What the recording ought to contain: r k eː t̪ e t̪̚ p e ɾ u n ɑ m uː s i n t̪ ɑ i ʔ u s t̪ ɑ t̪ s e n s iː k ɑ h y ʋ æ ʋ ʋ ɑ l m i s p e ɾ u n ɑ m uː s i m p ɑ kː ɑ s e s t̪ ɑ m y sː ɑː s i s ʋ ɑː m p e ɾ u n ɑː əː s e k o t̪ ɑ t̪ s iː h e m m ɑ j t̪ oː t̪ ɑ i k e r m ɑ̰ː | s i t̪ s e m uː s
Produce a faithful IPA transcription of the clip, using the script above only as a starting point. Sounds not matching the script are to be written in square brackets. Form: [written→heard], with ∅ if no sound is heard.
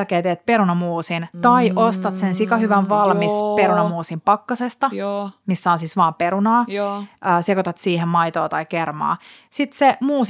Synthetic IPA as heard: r k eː t̪ e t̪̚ p e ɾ u n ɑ m uː s i n t̪ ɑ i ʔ [u→o] s t̪ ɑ t̪ s e n s [iː→i] k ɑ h y ʋ æ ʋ ʋ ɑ l m i s p e ɾ u n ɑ m uː s i m p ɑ kː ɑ s e s t̪ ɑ m [y→i] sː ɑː s i s ʋ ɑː m p e ɾ u n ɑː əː s e k o t̪ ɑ t̪ s iː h e m m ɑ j t̪ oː t̪ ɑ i k e r m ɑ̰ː | s i t̪ s e m uː s